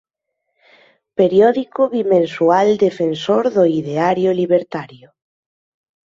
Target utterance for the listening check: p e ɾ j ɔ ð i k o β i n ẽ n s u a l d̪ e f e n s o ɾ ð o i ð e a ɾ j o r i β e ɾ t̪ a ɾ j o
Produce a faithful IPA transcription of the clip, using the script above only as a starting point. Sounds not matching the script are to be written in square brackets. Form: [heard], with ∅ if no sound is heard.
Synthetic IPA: p e ɾ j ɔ ð i k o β i [m] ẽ n s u a l d̪ e f e n s o ɾ ð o i ð e a ɾ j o [l] i β e ɾ t̪ a ɾ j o